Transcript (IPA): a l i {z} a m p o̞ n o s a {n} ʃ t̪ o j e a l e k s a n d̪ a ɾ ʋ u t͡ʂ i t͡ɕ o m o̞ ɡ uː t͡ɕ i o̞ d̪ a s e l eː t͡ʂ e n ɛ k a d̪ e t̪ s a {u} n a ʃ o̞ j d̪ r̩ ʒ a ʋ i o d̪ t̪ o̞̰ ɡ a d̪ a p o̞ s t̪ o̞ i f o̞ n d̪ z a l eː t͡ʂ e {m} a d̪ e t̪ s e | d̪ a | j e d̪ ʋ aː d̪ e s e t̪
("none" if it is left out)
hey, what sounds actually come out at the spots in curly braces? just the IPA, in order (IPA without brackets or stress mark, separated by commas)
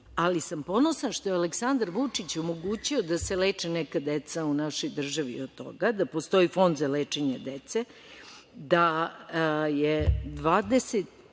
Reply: s, n, u, ɲ